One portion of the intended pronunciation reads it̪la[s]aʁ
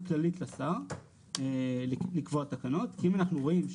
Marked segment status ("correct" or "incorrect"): correct